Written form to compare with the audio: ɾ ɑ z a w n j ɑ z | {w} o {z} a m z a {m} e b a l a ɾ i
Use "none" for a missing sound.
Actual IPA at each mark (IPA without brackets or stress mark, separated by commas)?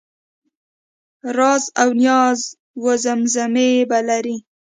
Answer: w, z, m